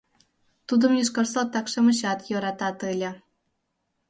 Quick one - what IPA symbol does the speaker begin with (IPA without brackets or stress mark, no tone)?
t̪